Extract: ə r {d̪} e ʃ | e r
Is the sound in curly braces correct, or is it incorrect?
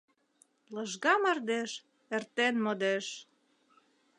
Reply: correct